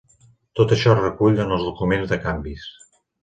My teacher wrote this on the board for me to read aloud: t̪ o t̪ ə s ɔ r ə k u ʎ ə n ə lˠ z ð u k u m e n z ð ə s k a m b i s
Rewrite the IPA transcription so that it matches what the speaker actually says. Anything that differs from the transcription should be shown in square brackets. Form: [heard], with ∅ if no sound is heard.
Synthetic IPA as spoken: t̪ o t̪ ə [ʃ] ɔ r ə k u ʎ ə n ə lˠ z ð u k u m e n z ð ə [∅] k a m b i s